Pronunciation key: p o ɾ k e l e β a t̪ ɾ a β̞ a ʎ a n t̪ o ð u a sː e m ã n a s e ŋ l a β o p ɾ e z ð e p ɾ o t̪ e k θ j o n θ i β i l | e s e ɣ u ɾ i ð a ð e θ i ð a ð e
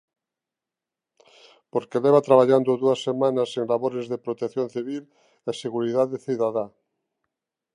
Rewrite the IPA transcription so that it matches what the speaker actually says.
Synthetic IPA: p o ɾ k e l e β a t̪ ɾ a β̞ a ʎ a n d̪ o ð u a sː e m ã n a s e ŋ l a β o ɾ e z ð e p ɾ o t̪ e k θ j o n θ i β i l | e s e ɣ u ɾ i ð a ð e θ i ð a ð a

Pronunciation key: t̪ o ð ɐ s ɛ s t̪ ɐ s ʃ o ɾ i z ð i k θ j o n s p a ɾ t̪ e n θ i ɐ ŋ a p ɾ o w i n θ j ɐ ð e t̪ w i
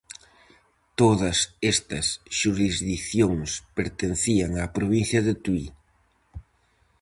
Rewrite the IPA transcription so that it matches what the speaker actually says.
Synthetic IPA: t̪ o ð ɐ s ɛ s t̪ ɐ s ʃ u ɾ i z ð i k θ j o ŋ s p e ɾ t̪ e n θ i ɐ ŋ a p ɾ o β i n θ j ɐ ð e t̪ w i

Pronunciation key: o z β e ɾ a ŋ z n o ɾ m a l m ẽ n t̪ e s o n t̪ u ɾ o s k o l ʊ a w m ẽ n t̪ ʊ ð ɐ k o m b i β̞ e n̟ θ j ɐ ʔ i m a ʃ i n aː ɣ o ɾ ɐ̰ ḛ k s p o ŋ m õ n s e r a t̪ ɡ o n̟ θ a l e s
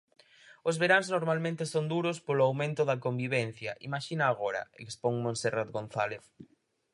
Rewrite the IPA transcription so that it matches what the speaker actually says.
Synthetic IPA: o z β e ɾ a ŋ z n o ɾ m a l m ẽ n t̪ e s o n d̪ u ɾ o s p o l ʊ a w m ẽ n t̪ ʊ ð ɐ k o m b i β̞ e n̟ θ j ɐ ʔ i m a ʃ i n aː ɣ o ɾ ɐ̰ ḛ k s p o ŋ m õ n s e r a t̪ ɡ o n̟ θ a l e θ

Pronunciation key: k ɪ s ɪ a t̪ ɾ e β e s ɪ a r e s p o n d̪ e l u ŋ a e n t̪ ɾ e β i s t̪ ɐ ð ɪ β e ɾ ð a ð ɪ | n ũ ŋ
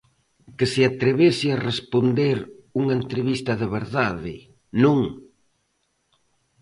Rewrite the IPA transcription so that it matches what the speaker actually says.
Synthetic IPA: k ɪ s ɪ a t̪ ɾ e β e s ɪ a r e s p o n d̪ e ɾ u ŋ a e n t̪ ɾ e β i s t̪ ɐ ð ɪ β e ɾ ð a ð ɪ | n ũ ŋ

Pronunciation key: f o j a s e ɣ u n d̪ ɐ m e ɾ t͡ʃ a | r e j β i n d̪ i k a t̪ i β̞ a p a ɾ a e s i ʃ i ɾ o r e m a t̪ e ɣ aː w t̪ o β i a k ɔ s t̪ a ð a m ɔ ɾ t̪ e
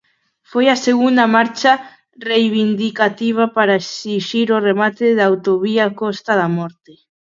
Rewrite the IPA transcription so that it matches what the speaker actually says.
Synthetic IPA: f o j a s e ɣ u n d̪ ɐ m a ɾ t͡ʃ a | r e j β i n d̪ i k a t̪ i β̞ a p a ɾ a e s i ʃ i ɾ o r e m a t̪ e ð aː w t̪ o β i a k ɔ s t̪ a ð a m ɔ ɾ t̪ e

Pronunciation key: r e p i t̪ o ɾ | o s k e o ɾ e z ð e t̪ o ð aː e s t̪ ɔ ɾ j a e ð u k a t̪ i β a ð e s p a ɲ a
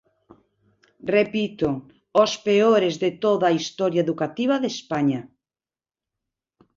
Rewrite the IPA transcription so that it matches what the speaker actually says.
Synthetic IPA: r e p i t̪ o | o s p e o ɾ e z ð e t̪ o ð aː i s t̪ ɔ ɾ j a e ð u k a t̪ i β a ð e s p a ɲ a

